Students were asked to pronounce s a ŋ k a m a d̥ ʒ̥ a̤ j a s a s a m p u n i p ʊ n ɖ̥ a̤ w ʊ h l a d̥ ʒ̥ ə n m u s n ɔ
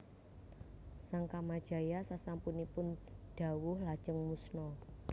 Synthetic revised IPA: s a ŋ k a m a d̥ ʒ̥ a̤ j a s a s a m p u n i p ʊ n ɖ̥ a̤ w ʊ h l a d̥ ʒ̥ ə ŋ m u s n ɔ

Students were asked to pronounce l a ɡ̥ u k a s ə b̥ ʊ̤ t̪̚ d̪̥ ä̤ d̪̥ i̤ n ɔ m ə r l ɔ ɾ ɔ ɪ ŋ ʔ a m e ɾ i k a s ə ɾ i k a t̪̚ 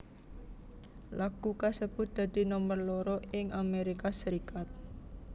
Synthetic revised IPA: l a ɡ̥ u k a s ə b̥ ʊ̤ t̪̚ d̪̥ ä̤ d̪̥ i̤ n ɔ m ə r l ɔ ɾ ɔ ɪ ŋ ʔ a m e ɾ i k a s ə ɾ i k a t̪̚

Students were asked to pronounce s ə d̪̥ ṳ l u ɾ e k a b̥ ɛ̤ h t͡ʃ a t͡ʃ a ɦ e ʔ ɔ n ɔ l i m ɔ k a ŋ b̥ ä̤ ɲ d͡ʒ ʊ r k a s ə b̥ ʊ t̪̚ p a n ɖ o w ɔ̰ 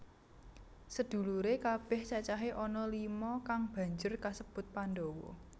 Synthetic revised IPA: s ə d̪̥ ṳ l u ɾ e k a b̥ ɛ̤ h t͡ʃ a t͡ʃ a ɦ e ʔ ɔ n ɔ l i m ɔ k a ŋ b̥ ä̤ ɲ d͡ʒ ʊ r k a s ə b̥ ʊ t̪̚ p a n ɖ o w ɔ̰

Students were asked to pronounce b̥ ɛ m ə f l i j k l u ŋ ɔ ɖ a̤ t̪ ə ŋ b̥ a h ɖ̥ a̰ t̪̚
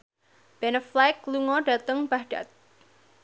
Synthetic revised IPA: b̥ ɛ n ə f l a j k l u ŋ ɔ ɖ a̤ t̪ ə ŋ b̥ a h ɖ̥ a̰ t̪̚

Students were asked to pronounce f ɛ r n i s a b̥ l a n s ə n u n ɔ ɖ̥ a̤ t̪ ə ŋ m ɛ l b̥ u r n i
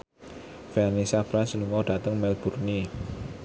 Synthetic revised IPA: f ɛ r n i s a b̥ ɾ a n s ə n u ŋ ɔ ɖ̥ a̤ t̪ ə ŋ m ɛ l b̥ u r n i

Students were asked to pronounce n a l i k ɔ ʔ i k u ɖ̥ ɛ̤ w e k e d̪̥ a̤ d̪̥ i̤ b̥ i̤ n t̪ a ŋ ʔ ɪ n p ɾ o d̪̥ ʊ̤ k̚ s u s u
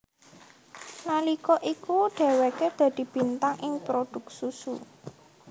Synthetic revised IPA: n a l i k ɔ ʔ i k u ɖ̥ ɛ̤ w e k e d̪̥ a̤ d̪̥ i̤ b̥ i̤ n t̪ a ŋ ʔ ɪ ŋ p ɾ o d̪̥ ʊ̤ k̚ s u s u

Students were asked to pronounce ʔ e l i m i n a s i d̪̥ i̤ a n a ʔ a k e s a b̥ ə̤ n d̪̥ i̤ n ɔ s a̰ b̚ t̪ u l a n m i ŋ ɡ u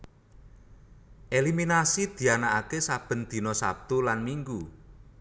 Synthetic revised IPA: ʔ e l i m i n a s i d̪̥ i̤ a n a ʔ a k e s a b̥ ə̤ n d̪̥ i̤ n ɔ s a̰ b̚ t̪ u l a n m i ŋ ɡ u

